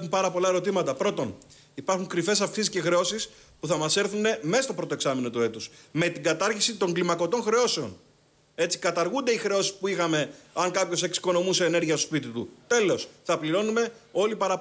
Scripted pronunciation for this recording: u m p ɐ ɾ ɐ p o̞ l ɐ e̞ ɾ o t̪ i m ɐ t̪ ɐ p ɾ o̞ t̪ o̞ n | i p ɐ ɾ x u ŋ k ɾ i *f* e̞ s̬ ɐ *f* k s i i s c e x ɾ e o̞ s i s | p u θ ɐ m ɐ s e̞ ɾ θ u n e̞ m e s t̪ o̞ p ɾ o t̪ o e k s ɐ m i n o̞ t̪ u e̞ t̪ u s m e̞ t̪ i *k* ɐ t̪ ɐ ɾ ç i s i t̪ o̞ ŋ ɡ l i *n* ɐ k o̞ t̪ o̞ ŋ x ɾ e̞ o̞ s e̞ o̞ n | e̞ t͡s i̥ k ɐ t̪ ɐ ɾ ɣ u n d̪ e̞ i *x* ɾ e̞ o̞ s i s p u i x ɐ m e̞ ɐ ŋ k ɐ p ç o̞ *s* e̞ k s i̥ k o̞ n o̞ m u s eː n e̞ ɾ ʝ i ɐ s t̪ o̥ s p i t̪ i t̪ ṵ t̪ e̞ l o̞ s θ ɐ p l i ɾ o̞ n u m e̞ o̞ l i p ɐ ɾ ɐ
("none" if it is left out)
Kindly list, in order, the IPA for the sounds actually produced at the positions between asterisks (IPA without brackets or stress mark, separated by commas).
f, f, ɡ, m, x, s